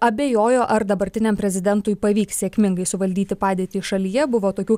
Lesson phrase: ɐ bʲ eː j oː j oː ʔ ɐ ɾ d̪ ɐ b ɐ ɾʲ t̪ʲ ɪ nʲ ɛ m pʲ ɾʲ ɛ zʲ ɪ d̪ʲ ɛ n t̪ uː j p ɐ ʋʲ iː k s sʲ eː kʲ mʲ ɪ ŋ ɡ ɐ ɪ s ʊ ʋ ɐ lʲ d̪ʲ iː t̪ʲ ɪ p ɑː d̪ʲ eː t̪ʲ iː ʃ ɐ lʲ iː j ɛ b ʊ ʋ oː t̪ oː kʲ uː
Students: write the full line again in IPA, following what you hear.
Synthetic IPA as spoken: ɐ bʲ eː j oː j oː ʔ ɐ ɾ d̪ ɐ b ɐ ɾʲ t̪ʲ ɪ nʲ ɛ m pʲ ɾʲ ɛ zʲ ɪ d̪ʲ ɛ n t̪ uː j p ɐ ʋʲ iː k s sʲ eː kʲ mʲ ɪ ŋ ɡ ɐ ɪ s ʊ ʋ ɐ lʲ d̪ʲ iː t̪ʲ ɪ p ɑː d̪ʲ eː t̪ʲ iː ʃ ɐ lʲ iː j ɛ b ʊ ʋ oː t̪ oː kʲ uː